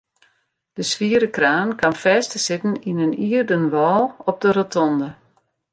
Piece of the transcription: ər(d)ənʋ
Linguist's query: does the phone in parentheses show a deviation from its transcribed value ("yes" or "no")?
no